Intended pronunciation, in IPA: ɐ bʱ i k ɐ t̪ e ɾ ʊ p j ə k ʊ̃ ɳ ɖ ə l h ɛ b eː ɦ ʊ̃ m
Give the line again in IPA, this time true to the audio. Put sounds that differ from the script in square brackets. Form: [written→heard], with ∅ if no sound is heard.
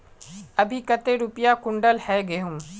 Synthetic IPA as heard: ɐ bʱ i k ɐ t̪ e ɾ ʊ p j [ə→a] k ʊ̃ ɳ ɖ ə l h ɛ [b→ɡ] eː ɦ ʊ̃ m